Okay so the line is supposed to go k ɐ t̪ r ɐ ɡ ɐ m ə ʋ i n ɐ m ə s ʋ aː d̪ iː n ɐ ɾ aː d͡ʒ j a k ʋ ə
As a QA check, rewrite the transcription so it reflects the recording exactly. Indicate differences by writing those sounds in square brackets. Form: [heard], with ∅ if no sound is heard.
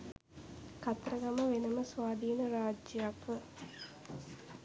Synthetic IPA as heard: k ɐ t̪ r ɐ ɡ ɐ m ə ʋ [e] n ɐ m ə s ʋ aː d̪ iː n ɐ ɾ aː d͡ʒ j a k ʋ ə